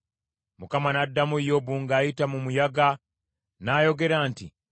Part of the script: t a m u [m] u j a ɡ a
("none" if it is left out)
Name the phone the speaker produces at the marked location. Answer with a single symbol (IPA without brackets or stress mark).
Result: m